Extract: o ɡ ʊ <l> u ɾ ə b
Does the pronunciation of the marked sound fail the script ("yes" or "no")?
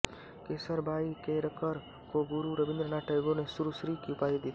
yes